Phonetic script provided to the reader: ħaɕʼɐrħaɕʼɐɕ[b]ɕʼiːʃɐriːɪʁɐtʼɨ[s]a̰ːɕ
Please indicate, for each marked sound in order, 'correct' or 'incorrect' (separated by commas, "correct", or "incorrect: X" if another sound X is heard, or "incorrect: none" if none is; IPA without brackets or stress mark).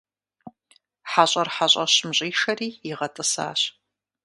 incorrect: m, correct